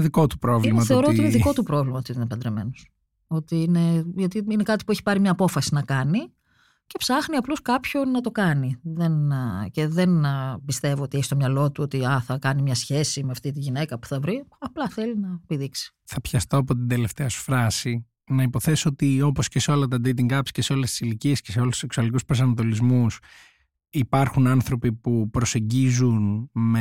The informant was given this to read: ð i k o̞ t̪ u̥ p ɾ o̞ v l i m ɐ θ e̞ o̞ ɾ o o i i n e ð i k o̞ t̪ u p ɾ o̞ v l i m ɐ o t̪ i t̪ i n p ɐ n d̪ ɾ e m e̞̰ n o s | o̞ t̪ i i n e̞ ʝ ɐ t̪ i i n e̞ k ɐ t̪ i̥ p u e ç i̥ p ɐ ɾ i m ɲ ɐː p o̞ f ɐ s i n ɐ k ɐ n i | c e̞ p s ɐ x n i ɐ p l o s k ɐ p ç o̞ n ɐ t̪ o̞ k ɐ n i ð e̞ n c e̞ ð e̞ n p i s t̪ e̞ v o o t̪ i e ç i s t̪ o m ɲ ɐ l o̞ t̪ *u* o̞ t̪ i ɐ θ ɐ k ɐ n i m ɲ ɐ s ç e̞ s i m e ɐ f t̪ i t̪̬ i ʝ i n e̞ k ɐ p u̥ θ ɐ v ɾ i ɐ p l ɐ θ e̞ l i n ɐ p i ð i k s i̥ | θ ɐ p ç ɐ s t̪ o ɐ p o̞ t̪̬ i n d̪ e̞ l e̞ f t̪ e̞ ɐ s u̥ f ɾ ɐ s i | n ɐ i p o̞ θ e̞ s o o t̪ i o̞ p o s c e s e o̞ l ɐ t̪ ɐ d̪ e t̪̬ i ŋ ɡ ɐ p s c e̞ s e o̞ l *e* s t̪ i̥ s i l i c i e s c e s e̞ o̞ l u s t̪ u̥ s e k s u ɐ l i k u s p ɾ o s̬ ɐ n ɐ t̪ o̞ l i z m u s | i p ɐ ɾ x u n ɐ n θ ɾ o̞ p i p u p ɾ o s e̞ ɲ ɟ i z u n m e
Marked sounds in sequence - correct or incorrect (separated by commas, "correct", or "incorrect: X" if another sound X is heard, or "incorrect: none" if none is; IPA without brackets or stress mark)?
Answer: correct, correct